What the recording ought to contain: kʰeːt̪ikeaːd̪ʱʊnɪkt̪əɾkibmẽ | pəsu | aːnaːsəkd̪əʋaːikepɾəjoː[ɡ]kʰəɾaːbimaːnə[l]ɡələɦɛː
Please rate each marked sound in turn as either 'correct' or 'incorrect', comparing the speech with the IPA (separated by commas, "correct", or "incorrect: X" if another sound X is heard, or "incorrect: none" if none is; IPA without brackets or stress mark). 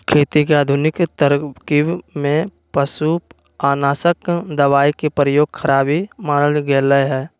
correct, correct